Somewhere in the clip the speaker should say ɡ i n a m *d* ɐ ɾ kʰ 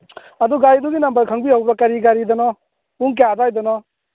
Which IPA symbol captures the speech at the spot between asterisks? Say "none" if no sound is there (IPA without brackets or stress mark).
b